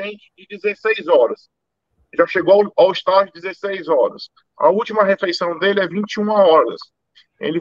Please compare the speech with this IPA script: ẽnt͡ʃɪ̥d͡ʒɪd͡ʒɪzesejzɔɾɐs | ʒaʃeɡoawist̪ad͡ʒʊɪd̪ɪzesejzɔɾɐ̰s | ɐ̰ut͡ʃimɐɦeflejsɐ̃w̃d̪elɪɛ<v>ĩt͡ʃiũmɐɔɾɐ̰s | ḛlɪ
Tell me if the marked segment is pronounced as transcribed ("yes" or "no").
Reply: yes